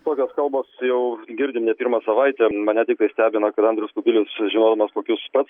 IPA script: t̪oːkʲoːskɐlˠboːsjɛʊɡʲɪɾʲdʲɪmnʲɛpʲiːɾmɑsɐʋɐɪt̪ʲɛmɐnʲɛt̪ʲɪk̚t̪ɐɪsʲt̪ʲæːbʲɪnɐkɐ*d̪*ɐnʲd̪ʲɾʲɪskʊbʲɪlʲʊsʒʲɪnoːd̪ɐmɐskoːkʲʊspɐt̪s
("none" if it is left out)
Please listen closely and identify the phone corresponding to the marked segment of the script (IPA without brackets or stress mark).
t̪